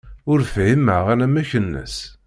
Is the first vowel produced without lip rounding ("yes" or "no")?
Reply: no